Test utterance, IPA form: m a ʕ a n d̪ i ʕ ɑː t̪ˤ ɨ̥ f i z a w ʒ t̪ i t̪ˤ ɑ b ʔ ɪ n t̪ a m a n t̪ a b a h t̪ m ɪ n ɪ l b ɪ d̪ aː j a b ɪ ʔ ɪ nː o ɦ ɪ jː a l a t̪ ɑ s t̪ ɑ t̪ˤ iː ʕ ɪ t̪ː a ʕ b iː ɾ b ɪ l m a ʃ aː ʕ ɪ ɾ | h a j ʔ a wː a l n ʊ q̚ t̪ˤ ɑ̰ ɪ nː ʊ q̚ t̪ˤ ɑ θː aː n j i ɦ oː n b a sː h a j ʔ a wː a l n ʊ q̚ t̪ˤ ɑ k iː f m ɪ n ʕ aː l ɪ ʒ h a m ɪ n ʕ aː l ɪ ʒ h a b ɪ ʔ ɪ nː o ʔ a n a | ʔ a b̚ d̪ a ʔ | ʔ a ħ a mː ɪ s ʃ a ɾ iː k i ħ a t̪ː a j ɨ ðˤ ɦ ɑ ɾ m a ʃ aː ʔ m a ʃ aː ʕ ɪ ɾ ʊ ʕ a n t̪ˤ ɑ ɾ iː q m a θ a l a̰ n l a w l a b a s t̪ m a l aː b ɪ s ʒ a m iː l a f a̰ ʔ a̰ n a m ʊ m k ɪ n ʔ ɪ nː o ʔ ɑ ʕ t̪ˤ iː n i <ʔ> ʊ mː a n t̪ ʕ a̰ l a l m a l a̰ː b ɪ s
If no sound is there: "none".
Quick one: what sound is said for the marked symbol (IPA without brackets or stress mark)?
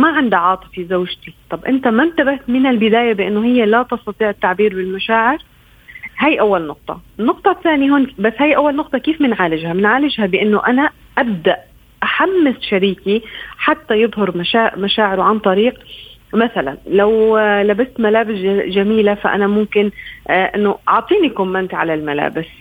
k